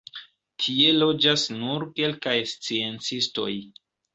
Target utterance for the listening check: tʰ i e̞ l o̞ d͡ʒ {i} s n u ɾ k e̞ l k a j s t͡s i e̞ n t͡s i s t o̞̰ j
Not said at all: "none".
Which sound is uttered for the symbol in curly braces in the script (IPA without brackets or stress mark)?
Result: a